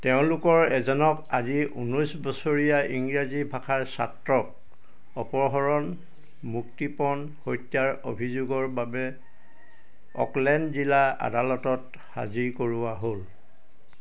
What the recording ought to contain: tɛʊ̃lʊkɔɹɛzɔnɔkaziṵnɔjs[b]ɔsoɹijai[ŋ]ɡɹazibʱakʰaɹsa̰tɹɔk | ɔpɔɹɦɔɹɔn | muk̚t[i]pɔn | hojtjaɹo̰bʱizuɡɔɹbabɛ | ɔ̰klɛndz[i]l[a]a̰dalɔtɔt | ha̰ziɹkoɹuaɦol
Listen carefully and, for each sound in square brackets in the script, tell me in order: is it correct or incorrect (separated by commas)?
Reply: correct, correct, correct, correct, correct